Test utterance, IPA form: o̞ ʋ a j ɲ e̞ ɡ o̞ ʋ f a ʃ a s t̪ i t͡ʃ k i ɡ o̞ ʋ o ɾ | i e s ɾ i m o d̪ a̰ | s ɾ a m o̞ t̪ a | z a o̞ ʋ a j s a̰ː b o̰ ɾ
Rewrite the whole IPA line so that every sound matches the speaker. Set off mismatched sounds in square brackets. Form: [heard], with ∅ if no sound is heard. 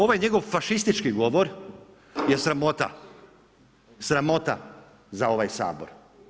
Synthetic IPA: o̞ ʋ a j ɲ e̞ ɡ o̞ ʋ f a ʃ [i] s t̪ i t͡ʃ k i ɡ o̞ ʋ o ɾ | [j] e s ɾ [a] m o [t̪] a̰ | s ɾ a m o̞ t̪ a | z a o̞ ʋ a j s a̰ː b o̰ ɾ